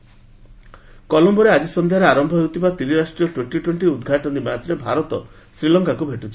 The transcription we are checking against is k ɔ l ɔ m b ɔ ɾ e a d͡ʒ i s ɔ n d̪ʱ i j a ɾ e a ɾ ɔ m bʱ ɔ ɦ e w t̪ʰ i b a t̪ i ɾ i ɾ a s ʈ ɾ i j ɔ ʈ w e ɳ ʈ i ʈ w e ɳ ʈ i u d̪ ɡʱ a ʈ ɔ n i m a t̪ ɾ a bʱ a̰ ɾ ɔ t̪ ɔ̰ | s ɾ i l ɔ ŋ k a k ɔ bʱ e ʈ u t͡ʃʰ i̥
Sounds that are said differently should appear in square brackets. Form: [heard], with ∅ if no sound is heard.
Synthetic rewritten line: k ɔ l ɔ m b ɔ ɾ e a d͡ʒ i s ɔ n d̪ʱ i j a ɾ e a ɾ ɔ m bʱ ɔ ɦ e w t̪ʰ i b a t̪ i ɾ i ɾ a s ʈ ɾ i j ɔ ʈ w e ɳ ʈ i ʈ w e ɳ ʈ i u d̪ ɡʱ a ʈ ɔ n i m a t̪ ɾ [e] bʱ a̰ ɾ ɔ t̪ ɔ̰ | s ɾ i l ɔ ŋ k a k [u] bʱ e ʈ u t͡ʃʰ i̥